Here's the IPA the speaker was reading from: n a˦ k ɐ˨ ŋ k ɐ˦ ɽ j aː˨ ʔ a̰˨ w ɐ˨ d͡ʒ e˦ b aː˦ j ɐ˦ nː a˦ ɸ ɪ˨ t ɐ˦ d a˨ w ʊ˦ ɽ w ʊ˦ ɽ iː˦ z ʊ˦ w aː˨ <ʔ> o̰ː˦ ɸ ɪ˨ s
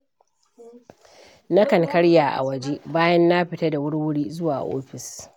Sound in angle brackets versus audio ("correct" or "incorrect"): correct